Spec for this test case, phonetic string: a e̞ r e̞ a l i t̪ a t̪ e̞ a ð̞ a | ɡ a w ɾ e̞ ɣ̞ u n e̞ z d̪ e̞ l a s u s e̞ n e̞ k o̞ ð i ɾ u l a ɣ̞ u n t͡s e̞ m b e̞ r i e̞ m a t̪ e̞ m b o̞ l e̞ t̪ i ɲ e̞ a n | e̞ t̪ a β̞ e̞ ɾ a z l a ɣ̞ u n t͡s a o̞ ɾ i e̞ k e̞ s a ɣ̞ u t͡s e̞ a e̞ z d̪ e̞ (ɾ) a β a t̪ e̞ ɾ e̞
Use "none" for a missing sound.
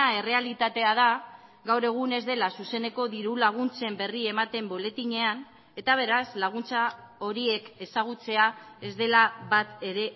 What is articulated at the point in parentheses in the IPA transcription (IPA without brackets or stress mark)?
l